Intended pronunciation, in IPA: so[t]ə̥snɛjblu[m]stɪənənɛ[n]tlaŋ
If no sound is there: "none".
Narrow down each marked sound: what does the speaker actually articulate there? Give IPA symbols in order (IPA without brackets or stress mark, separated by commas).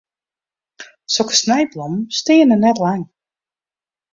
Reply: k, m, none